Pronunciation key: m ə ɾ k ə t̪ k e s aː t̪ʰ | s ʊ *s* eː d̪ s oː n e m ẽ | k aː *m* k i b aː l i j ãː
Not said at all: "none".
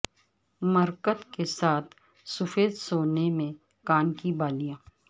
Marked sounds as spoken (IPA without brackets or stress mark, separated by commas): f, n